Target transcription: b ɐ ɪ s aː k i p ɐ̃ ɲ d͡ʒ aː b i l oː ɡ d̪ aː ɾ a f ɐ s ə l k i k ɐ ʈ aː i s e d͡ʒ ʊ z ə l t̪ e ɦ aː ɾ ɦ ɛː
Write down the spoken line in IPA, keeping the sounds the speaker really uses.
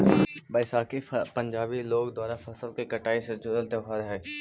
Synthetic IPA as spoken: b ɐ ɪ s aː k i p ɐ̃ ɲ d͡ʒ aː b i l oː ɡ d̪ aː ɾ a f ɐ s ə l k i k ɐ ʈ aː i s e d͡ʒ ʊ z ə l t̪ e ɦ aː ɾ ɦ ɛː